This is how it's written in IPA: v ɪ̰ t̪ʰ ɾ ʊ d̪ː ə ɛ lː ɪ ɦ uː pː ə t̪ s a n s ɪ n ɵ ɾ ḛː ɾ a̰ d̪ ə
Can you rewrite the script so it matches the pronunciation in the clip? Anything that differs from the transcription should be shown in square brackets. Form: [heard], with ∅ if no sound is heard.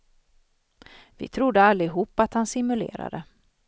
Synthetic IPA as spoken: v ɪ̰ t̪ʰ ɾ ʊ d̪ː ə [a] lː ɪ ɦ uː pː [a] t̪ [h] a n s ɪ [m] ɵ [l] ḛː ɾ a̰ d̪ ə

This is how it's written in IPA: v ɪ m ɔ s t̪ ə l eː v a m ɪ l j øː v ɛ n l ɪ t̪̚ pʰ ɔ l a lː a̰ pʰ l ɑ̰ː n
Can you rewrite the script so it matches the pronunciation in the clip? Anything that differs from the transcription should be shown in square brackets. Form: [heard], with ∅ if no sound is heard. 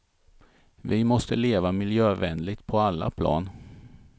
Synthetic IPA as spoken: v ɪ m ɔ s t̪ ə l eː v a m ɪ l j øː v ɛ n l ɪ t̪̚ pʰ ɔ [∅] a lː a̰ pʰ l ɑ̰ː n

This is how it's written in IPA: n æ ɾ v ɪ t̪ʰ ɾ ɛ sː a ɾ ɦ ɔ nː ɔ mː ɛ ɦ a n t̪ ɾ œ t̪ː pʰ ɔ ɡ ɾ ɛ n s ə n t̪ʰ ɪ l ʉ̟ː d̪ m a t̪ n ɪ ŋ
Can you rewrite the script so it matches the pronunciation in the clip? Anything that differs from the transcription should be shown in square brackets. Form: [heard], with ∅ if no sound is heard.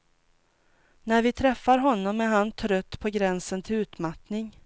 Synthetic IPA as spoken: n æ ɾ v ɪ t̪ʰ ɾ ɛ [fː] a ɾ ɦ ɔ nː ɔ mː ɛ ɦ a n [t̪ʰ] ɾ œ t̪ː pʰ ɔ ɡ ɾ ɛ n s ə n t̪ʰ ɪ l ʉ̟ː [t̪] m a t̪ n ɪ ŋ

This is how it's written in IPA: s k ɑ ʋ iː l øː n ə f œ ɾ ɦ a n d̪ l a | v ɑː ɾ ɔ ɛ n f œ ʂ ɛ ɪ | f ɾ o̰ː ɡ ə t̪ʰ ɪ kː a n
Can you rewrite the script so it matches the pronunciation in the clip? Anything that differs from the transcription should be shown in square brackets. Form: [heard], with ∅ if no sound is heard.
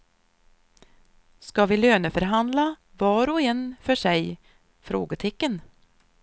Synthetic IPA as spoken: s k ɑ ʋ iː l øː n ə f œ ɾ ɦ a n d̪ l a | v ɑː ɾ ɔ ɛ n f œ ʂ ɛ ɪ | f ɾ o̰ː ɡ ə t̪ʰ ɪ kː [ə] n

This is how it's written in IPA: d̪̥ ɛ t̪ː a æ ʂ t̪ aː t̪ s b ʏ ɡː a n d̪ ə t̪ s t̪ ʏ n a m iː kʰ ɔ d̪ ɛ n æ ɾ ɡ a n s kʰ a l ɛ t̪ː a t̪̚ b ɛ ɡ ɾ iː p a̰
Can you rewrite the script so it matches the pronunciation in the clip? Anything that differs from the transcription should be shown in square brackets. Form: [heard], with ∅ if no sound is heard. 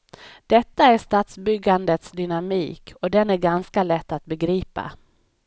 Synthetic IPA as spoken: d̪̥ ɛ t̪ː a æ ʂ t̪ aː t̪ s b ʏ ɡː a n d̪ ə t̪ s [d̪] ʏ n a m iː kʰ ɔ d̪ ɛ n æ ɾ ɡ a n s [k] a l ɛ t̪ː a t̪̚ b ɛ ɡ ɾ iː p a̰

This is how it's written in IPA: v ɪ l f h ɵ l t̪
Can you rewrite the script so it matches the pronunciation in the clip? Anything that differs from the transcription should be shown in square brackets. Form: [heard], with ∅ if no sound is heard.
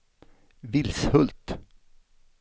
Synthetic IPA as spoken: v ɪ l [s] h ɵ l t̪

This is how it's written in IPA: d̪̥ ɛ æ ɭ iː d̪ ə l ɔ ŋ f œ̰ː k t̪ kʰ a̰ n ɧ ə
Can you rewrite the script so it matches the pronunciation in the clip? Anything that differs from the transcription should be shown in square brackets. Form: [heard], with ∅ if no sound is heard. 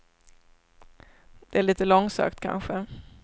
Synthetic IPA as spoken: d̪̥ ɛ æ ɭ iː [t̪] ə l ɔ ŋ [s] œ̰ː k t̪ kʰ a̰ n ɧ ə

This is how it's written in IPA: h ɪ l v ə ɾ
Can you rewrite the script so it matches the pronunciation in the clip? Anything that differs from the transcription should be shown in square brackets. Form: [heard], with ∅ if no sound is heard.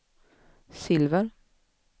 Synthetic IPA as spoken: [s] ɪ l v ə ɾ

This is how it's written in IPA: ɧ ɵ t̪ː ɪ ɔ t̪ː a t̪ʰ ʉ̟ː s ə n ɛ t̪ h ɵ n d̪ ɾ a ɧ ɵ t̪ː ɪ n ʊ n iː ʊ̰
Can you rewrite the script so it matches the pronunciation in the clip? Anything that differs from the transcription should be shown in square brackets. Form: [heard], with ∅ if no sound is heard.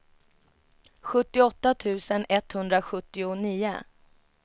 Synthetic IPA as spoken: ɧ ɵ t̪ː ɪ ɔ t̪ː a t̪ʰ ʉ̟ː s ə n ɛ t̪ h ɵ n d̪ ɾ a ɧ ɵ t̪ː ɪ [∅] ʊ n iː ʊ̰

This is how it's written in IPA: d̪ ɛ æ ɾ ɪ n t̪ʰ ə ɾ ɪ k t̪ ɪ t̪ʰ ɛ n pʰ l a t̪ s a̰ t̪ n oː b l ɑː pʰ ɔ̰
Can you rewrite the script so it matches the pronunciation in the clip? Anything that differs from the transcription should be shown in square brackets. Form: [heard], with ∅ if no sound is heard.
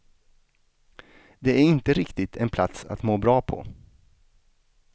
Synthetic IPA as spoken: d̪ ɛ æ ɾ ɪ n [t̪] ə ɾ ɪ k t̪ ɪ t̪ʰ ɛ n pʰ l a t̪ s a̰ t̪ [m] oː b [ɾ] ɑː pʰ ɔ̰

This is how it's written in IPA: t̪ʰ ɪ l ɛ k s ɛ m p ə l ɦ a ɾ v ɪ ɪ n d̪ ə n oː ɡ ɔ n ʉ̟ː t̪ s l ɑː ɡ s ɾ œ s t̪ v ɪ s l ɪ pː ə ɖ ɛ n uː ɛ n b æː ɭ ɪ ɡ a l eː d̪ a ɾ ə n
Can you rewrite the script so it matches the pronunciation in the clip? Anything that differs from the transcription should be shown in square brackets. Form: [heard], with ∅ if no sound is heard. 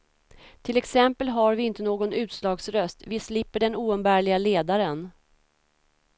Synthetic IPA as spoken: t̪ʰ ɪ l ɛ k s ɛ m p ə l ɦ a ɾ v ɪ ɪ n [t̪] ə n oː ɡ ɔ n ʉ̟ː t̪ s l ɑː ɡ s ɾ œ s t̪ v ɪ s l ɪ pː ə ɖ ɛ n uː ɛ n b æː ɭ ɪ ɡ a l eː d̪ a ɾ ə n

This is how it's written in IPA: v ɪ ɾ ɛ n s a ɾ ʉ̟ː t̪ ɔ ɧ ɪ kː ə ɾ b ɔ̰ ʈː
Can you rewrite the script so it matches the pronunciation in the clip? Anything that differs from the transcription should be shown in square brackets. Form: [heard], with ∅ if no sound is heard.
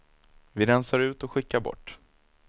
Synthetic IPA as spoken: v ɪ ɾ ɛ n s a ɾ ʉ̟ː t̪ ɔ ɧ ɪ kː [a] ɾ b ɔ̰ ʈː

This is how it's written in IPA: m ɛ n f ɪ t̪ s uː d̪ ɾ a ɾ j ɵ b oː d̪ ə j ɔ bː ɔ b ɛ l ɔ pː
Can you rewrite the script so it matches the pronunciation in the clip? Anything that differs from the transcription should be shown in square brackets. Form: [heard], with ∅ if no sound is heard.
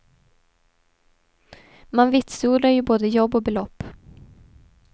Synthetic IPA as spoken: m [a] n [v] ɪ t̪ s uː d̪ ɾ a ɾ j ɵ b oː d̪ ə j ɔ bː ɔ b ɛ l ɔ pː

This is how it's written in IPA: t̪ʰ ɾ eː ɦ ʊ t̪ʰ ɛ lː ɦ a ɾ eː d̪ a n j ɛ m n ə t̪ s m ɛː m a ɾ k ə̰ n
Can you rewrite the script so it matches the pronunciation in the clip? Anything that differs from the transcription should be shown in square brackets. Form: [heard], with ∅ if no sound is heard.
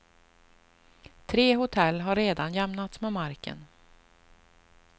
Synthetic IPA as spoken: t̪ʰ ɾ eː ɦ ʊ t̪ʰ ɛ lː ɦ a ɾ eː d̪ a n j ɛ m n [a] t̪ s m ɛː m a ɾ k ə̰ n

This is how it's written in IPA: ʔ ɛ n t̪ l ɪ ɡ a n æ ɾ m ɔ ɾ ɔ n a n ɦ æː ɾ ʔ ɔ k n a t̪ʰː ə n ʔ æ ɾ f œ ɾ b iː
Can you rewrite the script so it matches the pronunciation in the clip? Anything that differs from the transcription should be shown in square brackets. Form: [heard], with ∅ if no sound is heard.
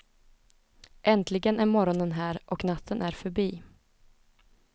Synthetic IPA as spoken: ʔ ɛ n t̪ l ɪ ɡ [ə] n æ ɾ m ɔ ɾ ɔ n [ə] n ɦ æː ɾ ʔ ɔ k n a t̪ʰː ə n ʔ æ ɾ f œ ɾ b iː

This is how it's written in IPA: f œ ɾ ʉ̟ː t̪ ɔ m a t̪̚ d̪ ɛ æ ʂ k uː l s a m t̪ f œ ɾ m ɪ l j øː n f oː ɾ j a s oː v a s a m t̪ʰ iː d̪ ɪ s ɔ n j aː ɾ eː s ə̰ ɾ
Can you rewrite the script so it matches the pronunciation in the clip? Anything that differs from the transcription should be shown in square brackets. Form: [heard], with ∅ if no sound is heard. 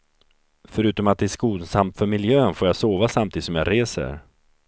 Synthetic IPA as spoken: f œ ɾ ʉ̟ː t̪ ɔ m a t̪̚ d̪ ɛ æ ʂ k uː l s a m t̪ f œ ɾ m ɪ l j øː n f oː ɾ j a s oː v a s a m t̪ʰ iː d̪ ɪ s ɔ [m] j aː ɾ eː s ə̰ ɾ

